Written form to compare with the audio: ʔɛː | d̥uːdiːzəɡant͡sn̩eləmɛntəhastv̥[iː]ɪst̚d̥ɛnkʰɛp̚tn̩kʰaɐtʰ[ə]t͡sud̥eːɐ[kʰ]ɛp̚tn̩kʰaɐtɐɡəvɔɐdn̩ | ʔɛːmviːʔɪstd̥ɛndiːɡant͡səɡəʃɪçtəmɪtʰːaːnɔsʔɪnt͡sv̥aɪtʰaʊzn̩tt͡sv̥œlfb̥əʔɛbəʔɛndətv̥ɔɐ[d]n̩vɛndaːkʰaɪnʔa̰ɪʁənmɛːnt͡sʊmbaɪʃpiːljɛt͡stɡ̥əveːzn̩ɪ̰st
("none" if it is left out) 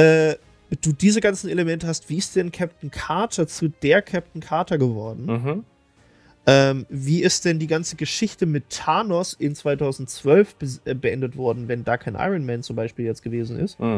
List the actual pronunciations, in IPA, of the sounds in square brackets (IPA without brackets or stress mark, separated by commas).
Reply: iː, ɐ, kʰ, d